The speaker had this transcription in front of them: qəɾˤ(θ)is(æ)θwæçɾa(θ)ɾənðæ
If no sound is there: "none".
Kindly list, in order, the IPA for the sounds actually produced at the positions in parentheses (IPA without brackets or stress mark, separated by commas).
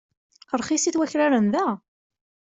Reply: χ, i, none